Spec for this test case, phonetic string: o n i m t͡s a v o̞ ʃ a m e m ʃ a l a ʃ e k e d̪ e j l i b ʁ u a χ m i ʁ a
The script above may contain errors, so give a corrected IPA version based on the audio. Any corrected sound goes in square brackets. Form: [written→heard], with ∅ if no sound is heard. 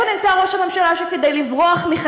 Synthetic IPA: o n i m t͡s a [v→ʁ] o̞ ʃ a m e m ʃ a l a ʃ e k e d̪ e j l i [b→v] ʁ [u→o] a χ m i [ʁ→χ] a

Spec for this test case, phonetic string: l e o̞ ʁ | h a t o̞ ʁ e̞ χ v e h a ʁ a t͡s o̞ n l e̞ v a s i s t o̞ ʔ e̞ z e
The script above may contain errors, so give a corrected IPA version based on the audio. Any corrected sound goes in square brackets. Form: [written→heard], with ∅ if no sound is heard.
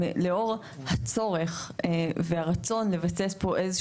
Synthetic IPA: l e o̞ ʁ | h a [t→t͡s] o̞ ʁ e̞ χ v e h a ʁ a t͡s o̞ n l e̞ v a s [i→e] s [t→p] o̞ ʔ e̞ z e

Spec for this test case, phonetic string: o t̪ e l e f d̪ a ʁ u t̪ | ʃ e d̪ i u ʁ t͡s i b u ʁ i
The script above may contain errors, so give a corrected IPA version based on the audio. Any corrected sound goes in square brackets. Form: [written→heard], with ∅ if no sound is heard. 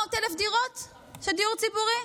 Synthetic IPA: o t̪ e l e f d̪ [a→i] ʁ [u→o] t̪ | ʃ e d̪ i u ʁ t͡s i b u ʁ i

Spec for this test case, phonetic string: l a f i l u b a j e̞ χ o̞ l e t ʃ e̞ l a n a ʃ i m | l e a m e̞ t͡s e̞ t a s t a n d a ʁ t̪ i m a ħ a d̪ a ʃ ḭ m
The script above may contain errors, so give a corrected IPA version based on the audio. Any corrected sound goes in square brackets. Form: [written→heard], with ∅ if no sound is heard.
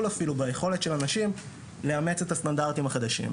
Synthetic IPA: l a f i l u b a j e̞ χ o̞ l e t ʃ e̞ l a n a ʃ i m | l e a m e̞ t͡s e̞ t a s t a n d a ʁ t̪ i m a [ħ→χ] a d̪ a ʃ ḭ m

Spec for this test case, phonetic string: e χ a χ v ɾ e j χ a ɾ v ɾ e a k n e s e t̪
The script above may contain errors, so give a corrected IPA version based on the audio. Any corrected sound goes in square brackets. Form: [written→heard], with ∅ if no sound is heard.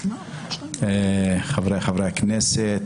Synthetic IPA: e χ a [χ→∅] v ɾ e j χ a [ɾ→∅] v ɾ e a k n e s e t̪

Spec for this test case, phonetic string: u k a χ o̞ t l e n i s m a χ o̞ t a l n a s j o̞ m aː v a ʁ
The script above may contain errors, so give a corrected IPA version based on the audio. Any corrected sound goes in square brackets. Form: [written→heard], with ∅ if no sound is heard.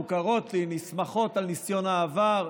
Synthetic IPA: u k a [χ→ʁ] o̞ t l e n i s m a χ o̞ t a l n [a→i] s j o̞ [m→n] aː v a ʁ

